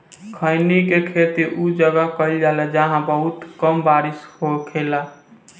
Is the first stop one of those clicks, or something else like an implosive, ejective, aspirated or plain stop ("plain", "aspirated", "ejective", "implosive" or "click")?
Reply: aspirated